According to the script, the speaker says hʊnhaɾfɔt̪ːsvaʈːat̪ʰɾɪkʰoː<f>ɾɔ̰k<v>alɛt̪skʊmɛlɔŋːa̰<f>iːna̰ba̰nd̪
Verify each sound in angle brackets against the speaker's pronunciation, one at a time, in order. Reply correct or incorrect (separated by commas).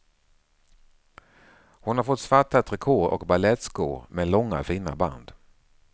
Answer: incorrect, incorrect, correct